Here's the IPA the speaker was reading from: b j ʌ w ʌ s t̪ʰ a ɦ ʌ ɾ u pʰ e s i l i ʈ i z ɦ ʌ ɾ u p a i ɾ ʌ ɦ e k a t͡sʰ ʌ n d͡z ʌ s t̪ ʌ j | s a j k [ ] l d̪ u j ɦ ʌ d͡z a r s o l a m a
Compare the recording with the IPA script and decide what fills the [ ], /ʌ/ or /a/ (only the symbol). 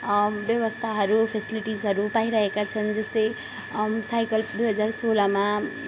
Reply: ʌ